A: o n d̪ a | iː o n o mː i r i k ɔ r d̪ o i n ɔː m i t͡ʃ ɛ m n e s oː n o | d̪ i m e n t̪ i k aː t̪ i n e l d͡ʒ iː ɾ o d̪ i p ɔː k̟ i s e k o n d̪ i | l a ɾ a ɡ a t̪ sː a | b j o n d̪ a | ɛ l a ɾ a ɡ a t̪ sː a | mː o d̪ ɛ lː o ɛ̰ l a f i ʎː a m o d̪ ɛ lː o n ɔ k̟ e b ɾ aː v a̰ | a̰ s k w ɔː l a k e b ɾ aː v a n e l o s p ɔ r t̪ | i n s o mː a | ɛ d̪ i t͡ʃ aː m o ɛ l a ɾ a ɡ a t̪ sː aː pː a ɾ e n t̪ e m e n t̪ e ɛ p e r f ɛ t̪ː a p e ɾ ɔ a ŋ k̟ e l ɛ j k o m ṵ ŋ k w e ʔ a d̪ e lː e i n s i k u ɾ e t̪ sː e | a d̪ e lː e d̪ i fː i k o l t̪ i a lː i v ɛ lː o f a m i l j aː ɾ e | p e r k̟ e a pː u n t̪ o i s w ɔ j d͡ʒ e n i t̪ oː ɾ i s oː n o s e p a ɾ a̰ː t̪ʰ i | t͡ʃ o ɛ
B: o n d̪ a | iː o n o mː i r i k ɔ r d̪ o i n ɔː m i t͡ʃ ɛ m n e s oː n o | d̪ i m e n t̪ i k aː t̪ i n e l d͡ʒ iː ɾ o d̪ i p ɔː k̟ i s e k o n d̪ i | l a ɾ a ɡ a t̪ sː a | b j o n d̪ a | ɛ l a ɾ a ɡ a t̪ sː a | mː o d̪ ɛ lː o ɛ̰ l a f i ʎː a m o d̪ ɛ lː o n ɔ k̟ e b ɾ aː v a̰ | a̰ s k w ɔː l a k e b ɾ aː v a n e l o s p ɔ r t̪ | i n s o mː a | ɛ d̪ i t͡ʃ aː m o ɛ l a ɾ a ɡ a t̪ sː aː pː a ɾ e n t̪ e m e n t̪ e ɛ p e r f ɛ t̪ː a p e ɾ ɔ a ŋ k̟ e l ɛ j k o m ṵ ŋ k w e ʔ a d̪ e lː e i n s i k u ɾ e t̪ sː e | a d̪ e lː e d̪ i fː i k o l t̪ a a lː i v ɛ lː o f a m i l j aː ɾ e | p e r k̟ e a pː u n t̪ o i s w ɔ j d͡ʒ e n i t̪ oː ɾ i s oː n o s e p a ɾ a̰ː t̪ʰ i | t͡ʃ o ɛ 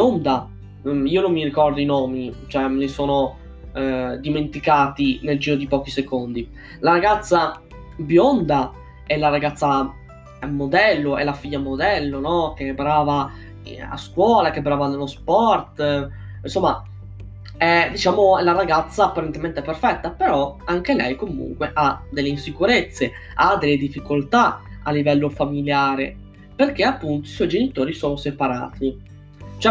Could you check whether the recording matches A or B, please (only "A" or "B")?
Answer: B